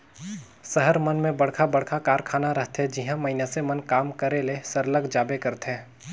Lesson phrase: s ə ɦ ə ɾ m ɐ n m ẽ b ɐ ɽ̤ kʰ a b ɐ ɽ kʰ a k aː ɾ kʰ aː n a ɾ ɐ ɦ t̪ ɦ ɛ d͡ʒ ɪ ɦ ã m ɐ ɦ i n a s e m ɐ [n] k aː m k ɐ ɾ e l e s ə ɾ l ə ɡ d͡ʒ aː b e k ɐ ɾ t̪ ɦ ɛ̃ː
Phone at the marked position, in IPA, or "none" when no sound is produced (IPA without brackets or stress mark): n